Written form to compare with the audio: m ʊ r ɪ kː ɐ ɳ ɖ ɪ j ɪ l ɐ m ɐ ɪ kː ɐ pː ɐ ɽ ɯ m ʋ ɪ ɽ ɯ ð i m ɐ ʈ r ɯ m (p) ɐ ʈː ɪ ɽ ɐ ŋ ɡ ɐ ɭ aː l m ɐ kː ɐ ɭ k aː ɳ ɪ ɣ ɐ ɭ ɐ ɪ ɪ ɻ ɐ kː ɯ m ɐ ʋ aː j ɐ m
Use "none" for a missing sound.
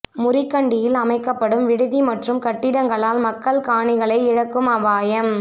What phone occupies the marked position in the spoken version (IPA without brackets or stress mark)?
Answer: k